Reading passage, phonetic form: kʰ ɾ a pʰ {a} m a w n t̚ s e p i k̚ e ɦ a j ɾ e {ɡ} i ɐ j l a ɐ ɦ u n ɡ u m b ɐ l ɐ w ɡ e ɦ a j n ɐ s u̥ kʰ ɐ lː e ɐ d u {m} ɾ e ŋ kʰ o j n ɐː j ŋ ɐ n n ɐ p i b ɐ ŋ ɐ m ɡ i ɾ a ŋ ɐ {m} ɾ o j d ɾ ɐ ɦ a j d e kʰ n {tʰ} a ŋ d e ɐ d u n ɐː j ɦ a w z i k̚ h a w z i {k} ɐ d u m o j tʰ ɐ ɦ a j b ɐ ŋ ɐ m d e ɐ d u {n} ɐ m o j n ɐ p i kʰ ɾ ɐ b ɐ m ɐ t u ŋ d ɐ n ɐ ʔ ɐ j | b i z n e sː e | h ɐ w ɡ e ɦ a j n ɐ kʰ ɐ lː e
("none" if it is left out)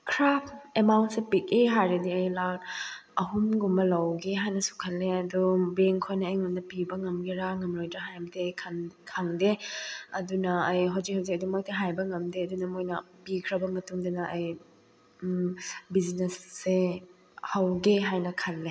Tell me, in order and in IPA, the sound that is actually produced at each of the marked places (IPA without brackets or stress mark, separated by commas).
e, d, b, m, kʰ, k, n